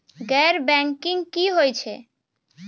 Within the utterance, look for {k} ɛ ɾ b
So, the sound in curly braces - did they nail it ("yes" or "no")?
no